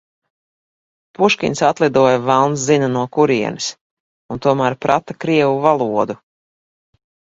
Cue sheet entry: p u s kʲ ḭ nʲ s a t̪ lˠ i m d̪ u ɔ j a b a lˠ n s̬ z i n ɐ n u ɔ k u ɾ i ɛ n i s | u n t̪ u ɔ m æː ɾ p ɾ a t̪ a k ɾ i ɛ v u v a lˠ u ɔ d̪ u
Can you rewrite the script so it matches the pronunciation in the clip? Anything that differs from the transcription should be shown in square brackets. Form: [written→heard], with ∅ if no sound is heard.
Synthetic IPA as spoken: p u [s→ʃ] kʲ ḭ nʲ s a t̪ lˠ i [m→∅] d̪ u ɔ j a [b→v] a lˠ n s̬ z i n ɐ n u ɔ k u ɾ i ɛ n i s | u n t̪ u ɔ m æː ɾ p ɾ a t̪ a k ɾ i ɛ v u v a lˠ u ɔ d̪ u

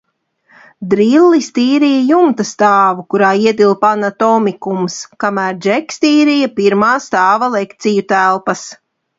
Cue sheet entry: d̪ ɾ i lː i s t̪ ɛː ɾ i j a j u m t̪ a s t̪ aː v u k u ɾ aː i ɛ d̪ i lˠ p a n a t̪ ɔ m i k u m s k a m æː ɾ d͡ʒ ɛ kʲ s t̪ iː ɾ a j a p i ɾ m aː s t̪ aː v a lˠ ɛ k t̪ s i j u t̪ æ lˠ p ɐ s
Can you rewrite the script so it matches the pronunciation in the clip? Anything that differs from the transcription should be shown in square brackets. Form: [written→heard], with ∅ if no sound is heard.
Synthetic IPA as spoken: d̪ ɾ i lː i s t̪ [ɛː→iː] ɾ i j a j u m t̪ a s t̪ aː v u k u ɾ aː i ɛ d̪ i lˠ p a n a t̪ ɔ m i k u m s k a m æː ɾ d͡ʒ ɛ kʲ s t̪ iː ɾ [a→i] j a p i ɾ m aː s t̪ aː v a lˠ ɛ k t̪ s i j u t̪ æ lˠ p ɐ s

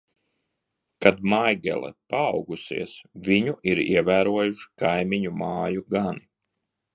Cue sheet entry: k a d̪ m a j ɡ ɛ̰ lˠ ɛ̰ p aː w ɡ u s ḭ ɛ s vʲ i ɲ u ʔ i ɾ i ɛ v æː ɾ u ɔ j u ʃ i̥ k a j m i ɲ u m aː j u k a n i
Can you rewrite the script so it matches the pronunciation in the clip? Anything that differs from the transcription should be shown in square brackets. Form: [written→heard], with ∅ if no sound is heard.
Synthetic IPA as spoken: k a d̪ m a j ɡ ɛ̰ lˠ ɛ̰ p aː w ɡ u s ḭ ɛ s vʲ i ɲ u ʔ i ɾ i ɛ v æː ɾ u ɔ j u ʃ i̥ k a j m i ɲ u m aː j u [k→ɡ] a n i

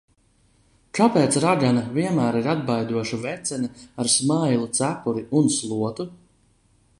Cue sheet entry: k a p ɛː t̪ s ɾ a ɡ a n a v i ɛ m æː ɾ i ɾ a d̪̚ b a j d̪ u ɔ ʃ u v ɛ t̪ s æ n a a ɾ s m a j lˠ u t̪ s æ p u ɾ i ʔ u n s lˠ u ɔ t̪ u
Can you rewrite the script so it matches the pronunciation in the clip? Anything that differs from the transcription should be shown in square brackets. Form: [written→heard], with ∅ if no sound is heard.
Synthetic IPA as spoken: k a p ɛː t̪ s ɾ a ɡ a n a v i ɛ m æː ɾ i ɾ a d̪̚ b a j d̪ u ɔ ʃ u v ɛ t̪ s [æ→ɛ] n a a ɾ s m a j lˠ u t̪ s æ p u ɾ i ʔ u n s lˠ u ɔ t̪ u

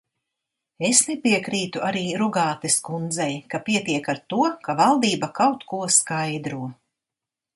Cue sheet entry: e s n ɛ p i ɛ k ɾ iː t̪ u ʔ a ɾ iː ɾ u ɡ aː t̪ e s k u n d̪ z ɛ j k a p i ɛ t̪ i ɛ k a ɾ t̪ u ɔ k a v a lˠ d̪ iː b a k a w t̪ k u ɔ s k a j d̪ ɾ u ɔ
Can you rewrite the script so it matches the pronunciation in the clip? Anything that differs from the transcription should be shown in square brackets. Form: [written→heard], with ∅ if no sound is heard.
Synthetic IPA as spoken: e s n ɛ p i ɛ k ɾ iː t̪ u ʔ a ɾ iː ɾ u ɡ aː t̪ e s k u n d̪ z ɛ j k a p i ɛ t̪ i ɛ k a ɾ t̪ u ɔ k a v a lˠ d̪ iː b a k a w t̪ k u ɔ s k a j d̪ ɾ u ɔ

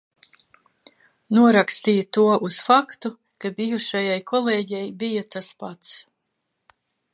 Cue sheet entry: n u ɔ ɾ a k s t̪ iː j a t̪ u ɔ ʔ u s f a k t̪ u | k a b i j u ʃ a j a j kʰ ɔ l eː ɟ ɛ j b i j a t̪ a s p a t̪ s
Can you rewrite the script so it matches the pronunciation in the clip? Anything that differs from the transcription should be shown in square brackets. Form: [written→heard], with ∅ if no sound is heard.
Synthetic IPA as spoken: n u ɔ ɾ a k s t̪ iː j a t̪ u ɔ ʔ u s f a k t̪ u | k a b i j u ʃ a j a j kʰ ɔ l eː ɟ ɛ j b i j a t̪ a s p a t̪ s

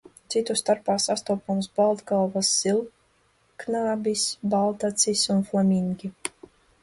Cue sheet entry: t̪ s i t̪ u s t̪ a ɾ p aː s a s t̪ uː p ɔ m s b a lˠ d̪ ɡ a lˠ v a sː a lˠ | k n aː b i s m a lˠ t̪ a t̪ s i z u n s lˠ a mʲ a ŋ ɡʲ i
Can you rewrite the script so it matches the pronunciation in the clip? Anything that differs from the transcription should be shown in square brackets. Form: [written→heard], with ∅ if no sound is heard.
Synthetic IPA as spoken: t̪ s i t̪ u s t̪ a ɾ p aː s a s t̪ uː p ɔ m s b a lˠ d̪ ɡ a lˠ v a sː [a→i] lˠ | k n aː b i s [m→b] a lˠ t̪ a t̪ s i [z→s] u n [s→f] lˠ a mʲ [a→i] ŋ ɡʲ i

